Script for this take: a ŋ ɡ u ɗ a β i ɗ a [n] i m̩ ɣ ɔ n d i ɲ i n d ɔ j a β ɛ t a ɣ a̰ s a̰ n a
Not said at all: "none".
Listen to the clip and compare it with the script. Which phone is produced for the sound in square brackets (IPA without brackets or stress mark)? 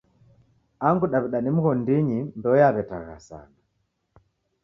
n